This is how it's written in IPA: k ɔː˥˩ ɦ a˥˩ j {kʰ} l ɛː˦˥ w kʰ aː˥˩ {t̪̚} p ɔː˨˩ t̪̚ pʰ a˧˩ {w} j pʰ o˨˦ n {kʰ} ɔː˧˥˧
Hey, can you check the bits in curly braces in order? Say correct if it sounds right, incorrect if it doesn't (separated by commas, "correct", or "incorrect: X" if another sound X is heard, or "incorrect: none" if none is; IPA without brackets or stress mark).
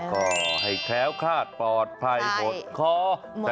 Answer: correct, correct, incorrect: none, correct